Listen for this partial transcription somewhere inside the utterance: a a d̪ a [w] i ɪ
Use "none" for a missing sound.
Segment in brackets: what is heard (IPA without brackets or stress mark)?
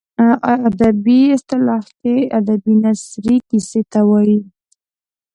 b